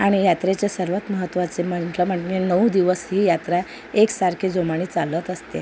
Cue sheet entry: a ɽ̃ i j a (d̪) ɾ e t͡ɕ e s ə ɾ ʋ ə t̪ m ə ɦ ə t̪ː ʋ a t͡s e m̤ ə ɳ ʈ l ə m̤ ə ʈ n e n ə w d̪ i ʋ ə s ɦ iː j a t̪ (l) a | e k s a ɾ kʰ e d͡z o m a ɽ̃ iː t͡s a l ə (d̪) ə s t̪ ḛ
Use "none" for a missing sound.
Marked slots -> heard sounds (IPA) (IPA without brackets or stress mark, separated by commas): t̪, ɾ, t̪